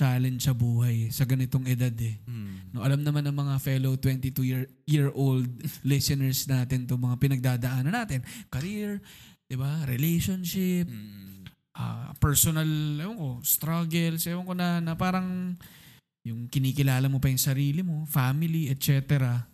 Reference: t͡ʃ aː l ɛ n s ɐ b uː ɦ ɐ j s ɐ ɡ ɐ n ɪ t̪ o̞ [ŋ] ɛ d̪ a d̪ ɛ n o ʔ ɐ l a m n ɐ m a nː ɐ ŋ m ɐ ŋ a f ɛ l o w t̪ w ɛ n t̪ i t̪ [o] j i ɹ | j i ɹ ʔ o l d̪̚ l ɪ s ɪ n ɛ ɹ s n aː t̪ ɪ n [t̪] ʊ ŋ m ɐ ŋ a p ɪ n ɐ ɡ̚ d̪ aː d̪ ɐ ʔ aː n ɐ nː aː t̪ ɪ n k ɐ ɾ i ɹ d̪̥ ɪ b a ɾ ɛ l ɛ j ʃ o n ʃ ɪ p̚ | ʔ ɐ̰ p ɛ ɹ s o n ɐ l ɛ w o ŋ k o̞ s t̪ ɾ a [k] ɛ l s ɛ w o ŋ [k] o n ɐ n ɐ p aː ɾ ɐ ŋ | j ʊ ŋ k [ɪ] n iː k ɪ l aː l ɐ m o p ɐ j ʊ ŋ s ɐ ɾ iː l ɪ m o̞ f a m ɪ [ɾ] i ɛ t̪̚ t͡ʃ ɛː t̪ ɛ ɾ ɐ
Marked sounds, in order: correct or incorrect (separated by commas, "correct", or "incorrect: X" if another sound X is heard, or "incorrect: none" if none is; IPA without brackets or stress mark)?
correct, incorrect: u, correct, incorrect: ɡ, correct, correct, incorrect: l